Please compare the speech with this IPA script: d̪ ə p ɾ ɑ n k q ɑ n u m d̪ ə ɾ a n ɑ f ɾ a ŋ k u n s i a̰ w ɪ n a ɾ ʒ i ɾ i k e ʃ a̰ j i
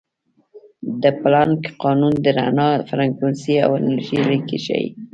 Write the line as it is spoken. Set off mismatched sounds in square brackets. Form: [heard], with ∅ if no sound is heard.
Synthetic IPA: d̪ ə p [l] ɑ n k q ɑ n u [n] d̪ ə ɾ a n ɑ f ɾ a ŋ k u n s i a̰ w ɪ n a ɾ ʒ i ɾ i k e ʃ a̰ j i